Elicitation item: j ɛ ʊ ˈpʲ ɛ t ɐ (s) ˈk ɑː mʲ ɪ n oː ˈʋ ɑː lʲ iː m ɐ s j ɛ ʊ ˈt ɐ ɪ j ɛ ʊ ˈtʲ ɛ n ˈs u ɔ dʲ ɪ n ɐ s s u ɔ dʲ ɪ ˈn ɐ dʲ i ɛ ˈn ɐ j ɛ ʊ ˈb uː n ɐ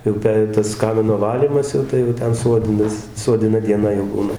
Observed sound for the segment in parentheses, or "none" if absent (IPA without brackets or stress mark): s